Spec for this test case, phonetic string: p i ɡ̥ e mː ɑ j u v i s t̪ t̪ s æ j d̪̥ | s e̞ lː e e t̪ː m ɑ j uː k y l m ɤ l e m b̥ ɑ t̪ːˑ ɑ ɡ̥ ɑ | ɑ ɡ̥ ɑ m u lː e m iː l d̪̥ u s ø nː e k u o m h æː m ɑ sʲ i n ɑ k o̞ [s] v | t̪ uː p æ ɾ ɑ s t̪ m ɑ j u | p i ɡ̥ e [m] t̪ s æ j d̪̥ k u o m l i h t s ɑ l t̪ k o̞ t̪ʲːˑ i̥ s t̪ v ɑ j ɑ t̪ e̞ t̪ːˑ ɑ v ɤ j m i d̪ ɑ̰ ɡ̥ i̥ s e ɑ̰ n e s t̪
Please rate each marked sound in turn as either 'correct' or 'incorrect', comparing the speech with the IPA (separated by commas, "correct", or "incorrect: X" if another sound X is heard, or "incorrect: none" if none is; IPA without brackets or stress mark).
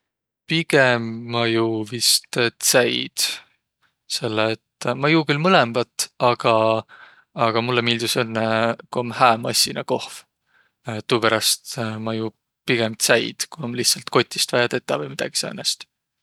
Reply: incorrect: h, correct